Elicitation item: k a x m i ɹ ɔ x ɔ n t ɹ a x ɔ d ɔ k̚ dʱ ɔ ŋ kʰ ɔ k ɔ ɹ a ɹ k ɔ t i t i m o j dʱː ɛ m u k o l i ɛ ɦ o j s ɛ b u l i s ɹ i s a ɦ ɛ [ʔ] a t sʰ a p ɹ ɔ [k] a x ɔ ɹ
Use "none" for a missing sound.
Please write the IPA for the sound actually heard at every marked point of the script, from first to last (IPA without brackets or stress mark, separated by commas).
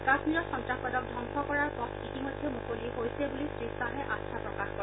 ʔ, k